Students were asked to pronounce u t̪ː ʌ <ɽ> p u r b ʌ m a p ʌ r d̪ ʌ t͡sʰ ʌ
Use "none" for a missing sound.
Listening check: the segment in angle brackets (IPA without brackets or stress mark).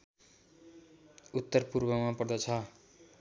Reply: r